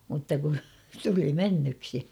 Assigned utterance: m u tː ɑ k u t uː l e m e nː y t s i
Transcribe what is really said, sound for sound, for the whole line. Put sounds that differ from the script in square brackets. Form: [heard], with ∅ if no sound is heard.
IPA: m u tː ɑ k u t [u] l [i] m e nː y [k] s i